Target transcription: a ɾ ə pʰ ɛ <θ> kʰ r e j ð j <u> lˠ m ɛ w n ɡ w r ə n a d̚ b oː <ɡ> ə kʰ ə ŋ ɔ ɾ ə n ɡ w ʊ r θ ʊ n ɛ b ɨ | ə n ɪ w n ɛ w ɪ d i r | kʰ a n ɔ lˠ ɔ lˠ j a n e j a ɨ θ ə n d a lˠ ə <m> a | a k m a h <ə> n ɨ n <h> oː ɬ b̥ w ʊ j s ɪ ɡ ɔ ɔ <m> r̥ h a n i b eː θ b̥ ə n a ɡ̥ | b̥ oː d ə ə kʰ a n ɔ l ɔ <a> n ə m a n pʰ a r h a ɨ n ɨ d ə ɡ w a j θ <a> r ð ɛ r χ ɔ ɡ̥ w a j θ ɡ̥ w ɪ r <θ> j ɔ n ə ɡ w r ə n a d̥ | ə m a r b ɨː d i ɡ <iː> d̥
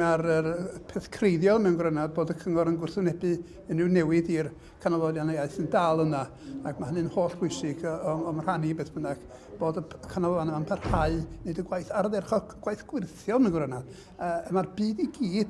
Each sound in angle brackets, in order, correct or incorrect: correct, incorrect: ɔ, incorrect: d, incorrect: n, correct, correct, correct, correct, correct, correct, correct

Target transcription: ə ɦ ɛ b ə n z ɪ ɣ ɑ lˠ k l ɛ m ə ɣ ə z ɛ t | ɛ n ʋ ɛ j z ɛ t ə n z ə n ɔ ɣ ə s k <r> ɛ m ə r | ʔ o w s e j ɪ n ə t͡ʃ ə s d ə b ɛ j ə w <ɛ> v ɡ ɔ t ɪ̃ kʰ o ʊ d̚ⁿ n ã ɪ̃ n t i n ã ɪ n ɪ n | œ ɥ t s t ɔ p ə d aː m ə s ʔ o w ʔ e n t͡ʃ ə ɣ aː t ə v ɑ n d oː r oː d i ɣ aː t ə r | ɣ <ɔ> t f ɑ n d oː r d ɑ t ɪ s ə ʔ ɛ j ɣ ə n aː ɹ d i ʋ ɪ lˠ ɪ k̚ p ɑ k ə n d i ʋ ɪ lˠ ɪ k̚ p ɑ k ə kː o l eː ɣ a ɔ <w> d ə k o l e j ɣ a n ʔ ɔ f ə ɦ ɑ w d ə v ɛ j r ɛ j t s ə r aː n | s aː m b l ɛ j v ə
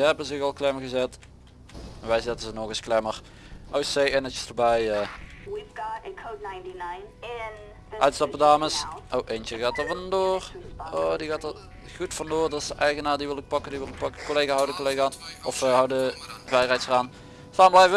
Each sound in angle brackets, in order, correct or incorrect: incorrect: l, incorrect: i, incorrect: u, correct

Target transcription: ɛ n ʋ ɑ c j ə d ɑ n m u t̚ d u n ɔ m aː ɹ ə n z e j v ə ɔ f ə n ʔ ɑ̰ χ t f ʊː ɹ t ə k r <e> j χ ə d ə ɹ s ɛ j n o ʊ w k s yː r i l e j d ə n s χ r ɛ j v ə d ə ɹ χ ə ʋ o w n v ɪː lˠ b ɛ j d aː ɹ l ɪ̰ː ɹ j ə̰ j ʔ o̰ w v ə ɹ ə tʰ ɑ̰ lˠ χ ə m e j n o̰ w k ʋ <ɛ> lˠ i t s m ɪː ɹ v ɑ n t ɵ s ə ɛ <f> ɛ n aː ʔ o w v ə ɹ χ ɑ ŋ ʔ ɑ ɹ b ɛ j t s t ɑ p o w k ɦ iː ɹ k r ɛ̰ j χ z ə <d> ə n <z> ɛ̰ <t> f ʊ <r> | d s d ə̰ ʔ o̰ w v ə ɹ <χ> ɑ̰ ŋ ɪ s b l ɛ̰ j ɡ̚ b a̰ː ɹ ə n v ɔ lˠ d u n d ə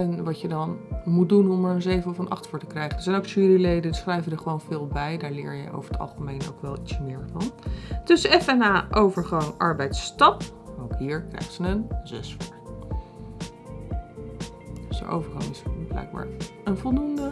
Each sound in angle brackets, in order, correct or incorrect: incorrect: ɛ, correct, correct, incorrect: n, correct, incorrect: s, incorrect: ɹ, correct

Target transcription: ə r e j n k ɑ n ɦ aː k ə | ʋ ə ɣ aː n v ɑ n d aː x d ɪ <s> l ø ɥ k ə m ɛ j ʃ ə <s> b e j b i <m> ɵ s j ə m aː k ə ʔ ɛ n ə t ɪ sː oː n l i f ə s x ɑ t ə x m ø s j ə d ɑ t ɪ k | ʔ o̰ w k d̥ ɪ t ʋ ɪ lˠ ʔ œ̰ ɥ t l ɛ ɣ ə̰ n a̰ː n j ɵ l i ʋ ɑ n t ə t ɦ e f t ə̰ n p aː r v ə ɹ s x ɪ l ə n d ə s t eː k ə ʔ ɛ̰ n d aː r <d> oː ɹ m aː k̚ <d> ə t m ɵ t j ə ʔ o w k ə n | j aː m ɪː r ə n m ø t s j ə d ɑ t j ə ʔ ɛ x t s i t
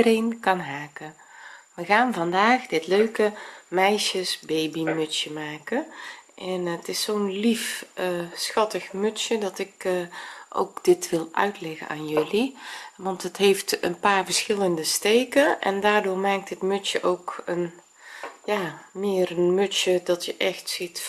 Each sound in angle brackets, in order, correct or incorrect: incorrect: t, correct, correct, correct, incorrect: t

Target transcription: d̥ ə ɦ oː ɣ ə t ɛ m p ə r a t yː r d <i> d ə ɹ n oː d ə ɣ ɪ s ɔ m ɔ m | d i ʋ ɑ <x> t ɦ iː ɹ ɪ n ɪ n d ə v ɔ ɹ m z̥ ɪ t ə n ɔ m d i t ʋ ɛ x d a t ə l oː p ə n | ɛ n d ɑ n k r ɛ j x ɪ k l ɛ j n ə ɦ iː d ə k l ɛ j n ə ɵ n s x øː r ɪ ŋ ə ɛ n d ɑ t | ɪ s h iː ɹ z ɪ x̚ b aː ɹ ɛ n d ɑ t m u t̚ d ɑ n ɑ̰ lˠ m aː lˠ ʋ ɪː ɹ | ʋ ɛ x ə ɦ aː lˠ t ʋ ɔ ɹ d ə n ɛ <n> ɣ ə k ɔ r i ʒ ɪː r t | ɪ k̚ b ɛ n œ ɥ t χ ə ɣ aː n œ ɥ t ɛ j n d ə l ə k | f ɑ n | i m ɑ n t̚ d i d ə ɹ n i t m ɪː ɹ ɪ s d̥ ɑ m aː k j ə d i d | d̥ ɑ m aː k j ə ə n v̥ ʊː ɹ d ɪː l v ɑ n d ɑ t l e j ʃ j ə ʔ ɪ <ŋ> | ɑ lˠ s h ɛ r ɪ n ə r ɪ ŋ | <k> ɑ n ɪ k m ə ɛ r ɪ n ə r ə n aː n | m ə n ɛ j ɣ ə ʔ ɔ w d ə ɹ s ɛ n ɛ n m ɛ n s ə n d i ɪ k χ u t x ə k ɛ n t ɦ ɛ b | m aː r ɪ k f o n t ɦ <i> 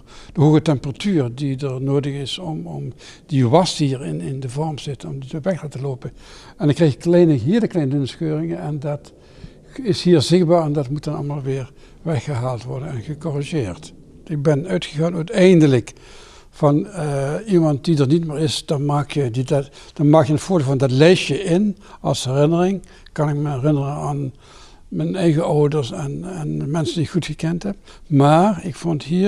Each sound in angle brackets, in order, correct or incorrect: correct, incorrect: s, correct, incorrect: n, correct, incorrect: iː

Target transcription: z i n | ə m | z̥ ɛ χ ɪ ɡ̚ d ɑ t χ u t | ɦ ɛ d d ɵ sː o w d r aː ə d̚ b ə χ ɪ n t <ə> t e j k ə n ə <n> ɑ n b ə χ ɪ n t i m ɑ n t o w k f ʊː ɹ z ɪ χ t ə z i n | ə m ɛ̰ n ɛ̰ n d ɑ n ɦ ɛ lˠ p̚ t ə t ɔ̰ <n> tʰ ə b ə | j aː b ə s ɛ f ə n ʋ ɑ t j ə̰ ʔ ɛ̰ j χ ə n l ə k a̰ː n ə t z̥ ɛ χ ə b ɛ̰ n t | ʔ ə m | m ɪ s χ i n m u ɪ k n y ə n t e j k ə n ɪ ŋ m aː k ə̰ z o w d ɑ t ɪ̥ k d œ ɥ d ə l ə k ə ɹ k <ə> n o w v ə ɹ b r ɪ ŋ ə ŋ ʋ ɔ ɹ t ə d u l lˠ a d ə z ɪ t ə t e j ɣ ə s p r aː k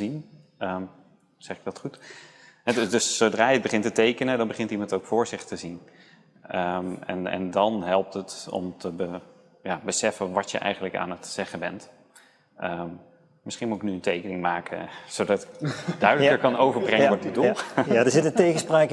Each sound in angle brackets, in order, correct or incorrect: correct, incorrect: d, incorrect: m, incorrect: ɑ

